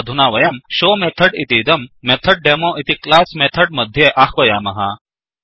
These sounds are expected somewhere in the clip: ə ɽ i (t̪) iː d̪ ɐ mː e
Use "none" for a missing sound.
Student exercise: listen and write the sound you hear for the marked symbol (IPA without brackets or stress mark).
t̪